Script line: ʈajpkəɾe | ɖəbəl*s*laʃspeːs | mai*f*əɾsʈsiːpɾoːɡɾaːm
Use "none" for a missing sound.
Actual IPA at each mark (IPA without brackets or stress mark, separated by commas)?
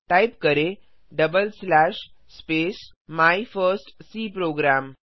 s, f